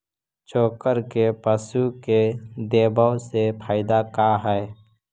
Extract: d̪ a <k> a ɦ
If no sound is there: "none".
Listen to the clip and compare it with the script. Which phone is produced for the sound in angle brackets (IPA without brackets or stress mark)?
k